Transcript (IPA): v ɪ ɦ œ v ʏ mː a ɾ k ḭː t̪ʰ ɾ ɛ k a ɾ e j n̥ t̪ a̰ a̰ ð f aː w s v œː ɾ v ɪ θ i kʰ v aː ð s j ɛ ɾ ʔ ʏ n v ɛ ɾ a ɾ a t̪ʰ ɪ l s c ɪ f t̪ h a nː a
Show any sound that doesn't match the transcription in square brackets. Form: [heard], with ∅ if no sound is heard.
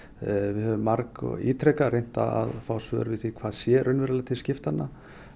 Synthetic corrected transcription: v ɪ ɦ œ v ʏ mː a ɾ k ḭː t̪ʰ ɾ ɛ k a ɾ e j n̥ t̪ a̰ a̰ ð f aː w s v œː ɾ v ɪ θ i kʰ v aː ð s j ɛ ɾ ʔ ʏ n v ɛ ɾ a [l] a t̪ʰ ɪ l s c ɪ f t̪ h a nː a